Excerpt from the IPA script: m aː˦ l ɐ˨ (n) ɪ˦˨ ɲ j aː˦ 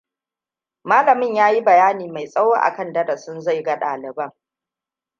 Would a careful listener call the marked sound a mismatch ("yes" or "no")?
yes